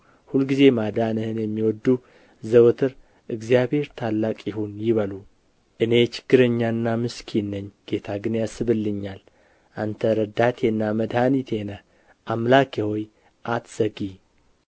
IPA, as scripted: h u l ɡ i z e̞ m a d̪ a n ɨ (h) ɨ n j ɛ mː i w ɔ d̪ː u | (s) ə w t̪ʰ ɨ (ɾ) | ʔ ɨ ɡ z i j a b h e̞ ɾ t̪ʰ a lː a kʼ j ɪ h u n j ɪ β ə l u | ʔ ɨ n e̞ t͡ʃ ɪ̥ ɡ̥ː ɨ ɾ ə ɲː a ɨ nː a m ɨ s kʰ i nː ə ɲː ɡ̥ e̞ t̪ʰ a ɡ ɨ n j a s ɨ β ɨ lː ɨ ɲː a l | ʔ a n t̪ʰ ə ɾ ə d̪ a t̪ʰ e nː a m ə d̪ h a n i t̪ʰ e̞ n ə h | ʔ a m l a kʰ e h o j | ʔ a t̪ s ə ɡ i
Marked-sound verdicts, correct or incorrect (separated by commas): correct, incorrect, correct